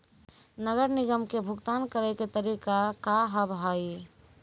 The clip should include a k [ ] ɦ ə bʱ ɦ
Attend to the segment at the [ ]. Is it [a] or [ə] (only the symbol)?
a